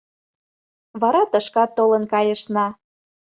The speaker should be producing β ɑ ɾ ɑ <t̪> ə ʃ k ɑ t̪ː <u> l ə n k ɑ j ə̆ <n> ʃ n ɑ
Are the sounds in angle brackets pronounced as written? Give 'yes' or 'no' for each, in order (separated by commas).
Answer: yes, no, no